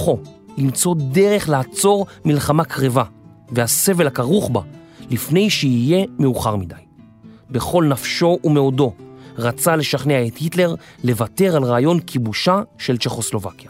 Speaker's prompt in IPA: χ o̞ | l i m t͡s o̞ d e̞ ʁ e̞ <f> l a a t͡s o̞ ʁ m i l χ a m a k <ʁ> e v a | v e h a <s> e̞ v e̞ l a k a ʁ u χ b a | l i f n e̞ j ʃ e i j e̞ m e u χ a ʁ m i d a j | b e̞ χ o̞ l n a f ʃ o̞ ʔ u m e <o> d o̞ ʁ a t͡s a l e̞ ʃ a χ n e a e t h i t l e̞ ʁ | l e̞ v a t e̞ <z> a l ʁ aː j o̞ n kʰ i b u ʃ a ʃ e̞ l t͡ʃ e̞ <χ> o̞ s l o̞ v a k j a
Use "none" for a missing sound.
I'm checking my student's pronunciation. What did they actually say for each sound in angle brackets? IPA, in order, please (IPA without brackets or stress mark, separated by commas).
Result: χ, ʁ, s, o, ʁ, χ